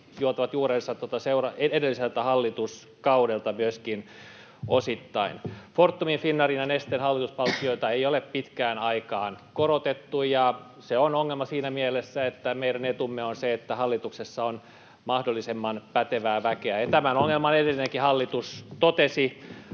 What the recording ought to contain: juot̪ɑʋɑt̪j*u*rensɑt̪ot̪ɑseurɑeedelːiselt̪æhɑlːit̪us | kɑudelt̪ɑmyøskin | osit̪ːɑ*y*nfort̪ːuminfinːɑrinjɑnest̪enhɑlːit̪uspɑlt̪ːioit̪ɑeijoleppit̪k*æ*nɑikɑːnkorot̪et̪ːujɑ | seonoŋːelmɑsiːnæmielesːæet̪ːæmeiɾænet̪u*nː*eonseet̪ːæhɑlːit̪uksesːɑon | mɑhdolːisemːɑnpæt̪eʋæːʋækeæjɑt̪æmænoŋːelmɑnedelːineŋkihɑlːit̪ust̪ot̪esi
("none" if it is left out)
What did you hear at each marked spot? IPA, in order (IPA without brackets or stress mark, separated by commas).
uː, i, æː, mː